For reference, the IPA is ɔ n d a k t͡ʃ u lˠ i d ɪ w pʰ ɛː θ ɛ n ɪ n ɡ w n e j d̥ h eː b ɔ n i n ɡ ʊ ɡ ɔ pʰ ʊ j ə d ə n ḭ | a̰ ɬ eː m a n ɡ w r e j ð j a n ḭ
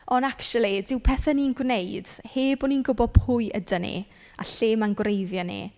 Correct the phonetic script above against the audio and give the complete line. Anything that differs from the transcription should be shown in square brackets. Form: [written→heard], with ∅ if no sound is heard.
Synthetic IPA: ɔ n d a k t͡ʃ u lˠ i d ɪ w pʰ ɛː θ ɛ n [ɪ→i] n ɡ w n e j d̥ h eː b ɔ n i n ɡ ʊ [ɡ→b] ɔ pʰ ʊ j ə d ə n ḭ | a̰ ɬ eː m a n ɡ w r e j ð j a n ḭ